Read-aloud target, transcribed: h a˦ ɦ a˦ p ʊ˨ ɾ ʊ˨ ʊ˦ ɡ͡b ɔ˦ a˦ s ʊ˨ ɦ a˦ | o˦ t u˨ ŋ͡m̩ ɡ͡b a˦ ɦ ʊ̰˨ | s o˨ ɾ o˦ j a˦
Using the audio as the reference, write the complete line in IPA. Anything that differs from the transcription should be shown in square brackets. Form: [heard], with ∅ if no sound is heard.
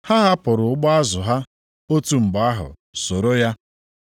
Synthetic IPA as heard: h a˦ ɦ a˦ p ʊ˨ ɾ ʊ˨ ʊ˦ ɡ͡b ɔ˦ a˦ [z] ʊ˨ ɦ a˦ | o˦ t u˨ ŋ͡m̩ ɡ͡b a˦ ɦ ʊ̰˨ | s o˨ ɾ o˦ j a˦